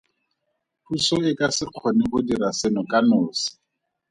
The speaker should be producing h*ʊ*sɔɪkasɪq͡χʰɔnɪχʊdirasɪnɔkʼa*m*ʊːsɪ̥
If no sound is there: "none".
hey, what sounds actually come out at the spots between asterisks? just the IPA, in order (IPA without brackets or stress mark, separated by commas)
u, n